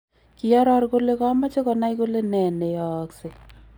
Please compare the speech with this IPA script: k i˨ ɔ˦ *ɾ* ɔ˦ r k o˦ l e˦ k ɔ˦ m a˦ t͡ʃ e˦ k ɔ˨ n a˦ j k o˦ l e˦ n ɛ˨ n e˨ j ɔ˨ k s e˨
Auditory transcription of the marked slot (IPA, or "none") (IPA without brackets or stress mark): ɾ